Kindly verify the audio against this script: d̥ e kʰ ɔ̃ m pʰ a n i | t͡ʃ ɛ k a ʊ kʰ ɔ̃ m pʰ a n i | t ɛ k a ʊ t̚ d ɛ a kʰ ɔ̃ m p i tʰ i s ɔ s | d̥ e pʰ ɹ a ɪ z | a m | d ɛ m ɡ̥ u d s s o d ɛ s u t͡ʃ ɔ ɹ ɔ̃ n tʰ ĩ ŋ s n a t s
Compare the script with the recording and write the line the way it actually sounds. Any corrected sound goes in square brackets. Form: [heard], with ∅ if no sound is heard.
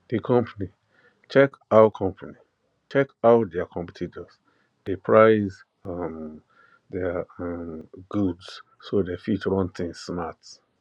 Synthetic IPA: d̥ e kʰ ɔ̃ m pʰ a n i | t͡ʃ ɛ k a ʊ kʰ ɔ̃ m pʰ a n i | [t͡ʃ] ɛ k a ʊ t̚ d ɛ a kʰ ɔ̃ m p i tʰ i [t] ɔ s | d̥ e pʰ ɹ a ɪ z | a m | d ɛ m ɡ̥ u d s s o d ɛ [f] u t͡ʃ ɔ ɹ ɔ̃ n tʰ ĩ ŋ s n a t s